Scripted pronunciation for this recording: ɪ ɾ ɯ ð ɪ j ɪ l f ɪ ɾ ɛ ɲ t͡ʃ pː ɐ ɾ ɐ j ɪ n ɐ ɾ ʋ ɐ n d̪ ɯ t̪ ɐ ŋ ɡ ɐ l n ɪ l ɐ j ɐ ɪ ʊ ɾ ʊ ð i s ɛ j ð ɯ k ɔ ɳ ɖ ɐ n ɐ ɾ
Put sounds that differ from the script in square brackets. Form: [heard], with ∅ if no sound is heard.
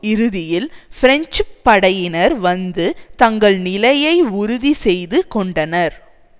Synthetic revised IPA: ɪ ɾ ɯ ð ɪ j ɪ l f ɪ ɾ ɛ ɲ t͡ʃ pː ɐ [ɽ] ɐ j ɪ n ɐ ɾ ʋ ɐ n d̪ ɯ t̪ ɐ ŋ ɡ ɐ [ɭ] n ɪ l ɐ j ɐ ɪ ʊ ɾ ʊ ð i s ɛ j ð ɯ k ɔ ɳ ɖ ɐ n ɐ ɾ